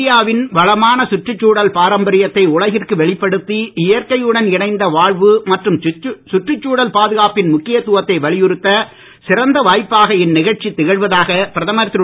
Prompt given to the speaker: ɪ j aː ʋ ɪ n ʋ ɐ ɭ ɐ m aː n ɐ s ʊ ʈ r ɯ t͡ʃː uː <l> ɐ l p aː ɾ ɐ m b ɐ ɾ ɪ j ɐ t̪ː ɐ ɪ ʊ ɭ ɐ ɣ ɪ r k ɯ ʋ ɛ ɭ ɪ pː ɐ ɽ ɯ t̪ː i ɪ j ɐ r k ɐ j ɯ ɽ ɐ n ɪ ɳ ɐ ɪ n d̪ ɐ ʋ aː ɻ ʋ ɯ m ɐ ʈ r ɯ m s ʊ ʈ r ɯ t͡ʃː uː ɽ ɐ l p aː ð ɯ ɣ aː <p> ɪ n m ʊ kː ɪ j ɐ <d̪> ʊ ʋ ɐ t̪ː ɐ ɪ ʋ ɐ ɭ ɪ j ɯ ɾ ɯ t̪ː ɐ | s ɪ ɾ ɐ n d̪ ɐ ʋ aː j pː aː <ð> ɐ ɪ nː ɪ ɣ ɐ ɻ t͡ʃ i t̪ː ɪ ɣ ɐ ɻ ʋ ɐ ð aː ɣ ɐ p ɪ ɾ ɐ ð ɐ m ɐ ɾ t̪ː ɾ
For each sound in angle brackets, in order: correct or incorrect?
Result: incorrect, correct, incorrect, incorrect

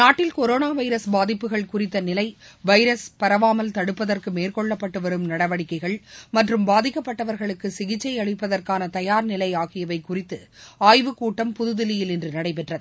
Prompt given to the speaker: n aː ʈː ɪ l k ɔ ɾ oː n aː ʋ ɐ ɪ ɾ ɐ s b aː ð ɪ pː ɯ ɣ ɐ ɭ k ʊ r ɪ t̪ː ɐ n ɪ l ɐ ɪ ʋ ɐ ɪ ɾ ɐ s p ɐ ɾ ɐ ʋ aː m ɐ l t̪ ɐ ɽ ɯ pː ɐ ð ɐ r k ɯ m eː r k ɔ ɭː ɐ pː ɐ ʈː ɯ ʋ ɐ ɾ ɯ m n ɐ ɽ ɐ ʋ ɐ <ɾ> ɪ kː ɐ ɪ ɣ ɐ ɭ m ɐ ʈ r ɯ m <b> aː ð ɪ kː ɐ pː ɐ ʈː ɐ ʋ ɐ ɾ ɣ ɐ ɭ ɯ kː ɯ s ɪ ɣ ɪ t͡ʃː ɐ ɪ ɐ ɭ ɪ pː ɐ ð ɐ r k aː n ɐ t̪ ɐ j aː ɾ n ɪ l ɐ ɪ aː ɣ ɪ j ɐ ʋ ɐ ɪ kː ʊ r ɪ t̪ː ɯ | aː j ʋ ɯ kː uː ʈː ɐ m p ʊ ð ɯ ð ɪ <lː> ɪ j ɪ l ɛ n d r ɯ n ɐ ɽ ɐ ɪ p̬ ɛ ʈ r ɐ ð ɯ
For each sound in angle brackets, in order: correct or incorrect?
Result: incorrect, correct, incorrect

